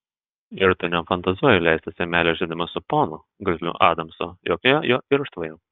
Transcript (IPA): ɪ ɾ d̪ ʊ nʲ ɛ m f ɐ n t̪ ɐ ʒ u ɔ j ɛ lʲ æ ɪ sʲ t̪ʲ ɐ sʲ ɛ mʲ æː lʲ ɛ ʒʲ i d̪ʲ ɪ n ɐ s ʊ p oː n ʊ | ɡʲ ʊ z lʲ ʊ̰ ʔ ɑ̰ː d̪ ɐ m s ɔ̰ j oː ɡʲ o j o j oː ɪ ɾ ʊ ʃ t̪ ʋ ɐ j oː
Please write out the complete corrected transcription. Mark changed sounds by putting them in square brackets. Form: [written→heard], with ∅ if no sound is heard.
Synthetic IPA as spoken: ɪ ɾ [d̪→t̪] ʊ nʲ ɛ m f ɐ n t̪ ɐ [ʒ→z] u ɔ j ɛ lʲ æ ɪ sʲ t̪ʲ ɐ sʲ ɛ mʲ æː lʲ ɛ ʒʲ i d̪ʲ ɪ [n→m] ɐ s ʊ p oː n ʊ | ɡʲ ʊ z lʲ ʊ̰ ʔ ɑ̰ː d̪ ɐ m s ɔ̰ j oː [ɡʲ→kʲ] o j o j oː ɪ ɾ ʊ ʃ t̪ ʋ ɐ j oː